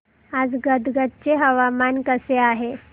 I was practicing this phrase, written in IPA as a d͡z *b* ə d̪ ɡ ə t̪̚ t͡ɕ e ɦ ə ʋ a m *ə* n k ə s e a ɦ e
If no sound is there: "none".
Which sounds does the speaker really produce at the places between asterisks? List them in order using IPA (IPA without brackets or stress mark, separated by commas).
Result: ɡ, a